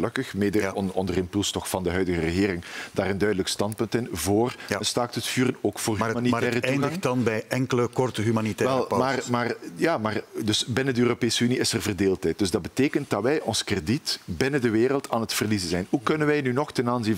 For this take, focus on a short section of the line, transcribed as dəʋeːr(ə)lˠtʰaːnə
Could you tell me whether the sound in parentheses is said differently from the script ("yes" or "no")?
no